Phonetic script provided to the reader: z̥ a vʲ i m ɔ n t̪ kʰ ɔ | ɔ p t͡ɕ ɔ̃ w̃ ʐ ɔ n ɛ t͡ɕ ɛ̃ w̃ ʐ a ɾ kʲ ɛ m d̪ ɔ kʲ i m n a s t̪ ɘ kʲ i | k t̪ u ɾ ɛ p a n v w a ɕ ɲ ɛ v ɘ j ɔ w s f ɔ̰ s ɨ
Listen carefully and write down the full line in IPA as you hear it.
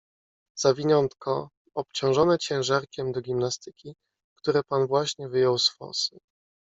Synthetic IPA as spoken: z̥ a vʲ i ɲ ɔ n t̪ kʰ ɔ | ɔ p t͡ɕ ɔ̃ w̃ ʐ ɔ n ɛ t͡ɕ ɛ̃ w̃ ʐ a ɾ kʲ ɛ m d̪ ɔ ɡʲ i m n a s t̪ ɘ kʲ i | k t̪ u ɾ ɛ p a n v w a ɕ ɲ ɛ v ɘ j ɔ w s f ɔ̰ s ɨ

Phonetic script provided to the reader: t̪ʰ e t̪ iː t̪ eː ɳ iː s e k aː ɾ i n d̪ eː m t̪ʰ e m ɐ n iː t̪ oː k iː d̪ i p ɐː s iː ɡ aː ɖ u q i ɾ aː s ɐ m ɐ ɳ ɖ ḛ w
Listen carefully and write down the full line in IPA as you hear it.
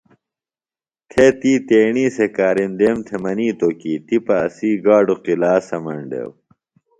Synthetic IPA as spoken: t̪ʰ e t̪ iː t̪ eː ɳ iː s e k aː ɾ i n d̪ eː m t̪ʰ e m ɐ n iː t̪ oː k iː t̪ i p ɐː s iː ɡ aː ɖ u q i l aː s ɐ m ɐ ɳ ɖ ḛ w

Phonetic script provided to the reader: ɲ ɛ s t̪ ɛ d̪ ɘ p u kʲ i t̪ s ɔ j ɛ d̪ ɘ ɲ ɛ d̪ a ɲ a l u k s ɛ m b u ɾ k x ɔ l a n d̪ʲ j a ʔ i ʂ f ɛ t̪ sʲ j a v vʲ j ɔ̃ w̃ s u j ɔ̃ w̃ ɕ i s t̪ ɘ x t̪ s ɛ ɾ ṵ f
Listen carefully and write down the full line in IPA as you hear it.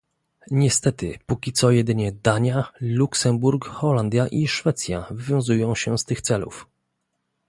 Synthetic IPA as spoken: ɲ ɛ s t̪ ɛ t̪ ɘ p u kʲ i t̪ s ɔ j ɛ d̪ ɘ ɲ ɛ d̪ a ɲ a l u k s ɛ m b u ɾ k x ɔ l a n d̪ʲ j a ʔ i ʂ f ɛ t̪ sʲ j a v vʲ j ɔ̃ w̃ z u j ɔ̃ w̃ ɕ ɛ s t̪ ɘ x t̪ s ɛ l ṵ f

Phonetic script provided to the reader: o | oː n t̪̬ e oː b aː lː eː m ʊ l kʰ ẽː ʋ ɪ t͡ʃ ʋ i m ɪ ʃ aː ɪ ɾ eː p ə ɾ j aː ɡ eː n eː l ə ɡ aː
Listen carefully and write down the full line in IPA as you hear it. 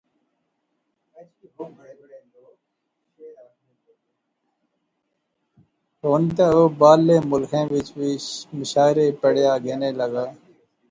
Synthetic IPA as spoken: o | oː n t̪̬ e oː b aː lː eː m ʊ l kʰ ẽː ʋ ɪ t͡ʃ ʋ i m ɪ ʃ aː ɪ ɾ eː p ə ɽ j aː ɡ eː n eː l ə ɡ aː

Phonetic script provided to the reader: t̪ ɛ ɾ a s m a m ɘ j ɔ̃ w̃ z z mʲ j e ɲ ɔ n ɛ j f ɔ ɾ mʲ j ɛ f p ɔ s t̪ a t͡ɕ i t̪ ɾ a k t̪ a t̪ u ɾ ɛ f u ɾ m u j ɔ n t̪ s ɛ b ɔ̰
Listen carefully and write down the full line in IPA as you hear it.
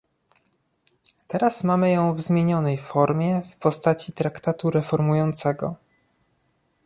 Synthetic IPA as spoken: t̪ ɛ ɾ a s m a m ɘ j ɔ̃ w̃ v z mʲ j e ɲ ɔ n ɛ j f ɔ ɾ mʲ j ɛ f p ɔ s t̪ a t͡ɕ i t̪ ɾ a k t̪ a t̪ u ɾ ɛ f ɔ ɾ m u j ɔ n t̪ s ɛ ɡ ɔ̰

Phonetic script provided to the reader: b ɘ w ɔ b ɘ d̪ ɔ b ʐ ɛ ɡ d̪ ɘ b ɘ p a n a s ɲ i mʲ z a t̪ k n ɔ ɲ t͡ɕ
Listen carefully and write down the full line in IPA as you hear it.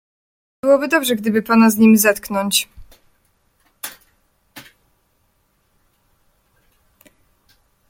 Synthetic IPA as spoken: b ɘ w ɔ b ɘ d̪ ɔ b ʐ ɛ ɡ d̪ ɘ b ɘ p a n a z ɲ i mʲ z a t̪ k n ɔ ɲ t͡ɕ

